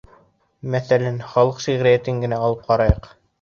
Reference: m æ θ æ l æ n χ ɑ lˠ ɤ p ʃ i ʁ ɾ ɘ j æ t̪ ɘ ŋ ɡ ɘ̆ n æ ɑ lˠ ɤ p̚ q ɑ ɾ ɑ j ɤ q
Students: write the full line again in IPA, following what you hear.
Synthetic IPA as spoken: m æ θ æ l æ n χ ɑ lˠ ɤ q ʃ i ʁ ɾ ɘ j æ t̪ ɘ ŋ ɡ ɘ̆ n æ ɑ lˠ ɤ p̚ q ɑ ɾ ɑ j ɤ q